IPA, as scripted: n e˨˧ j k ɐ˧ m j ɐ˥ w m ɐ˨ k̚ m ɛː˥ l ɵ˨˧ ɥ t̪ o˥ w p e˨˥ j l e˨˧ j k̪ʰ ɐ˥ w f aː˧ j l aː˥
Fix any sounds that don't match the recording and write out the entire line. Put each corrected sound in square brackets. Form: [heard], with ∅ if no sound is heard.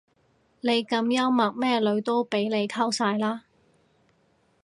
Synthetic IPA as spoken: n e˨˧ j k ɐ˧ m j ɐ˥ w m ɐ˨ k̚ m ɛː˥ l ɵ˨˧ ɥ t̪ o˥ w p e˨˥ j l e˨˧ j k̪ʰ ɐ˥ w [s] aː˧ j l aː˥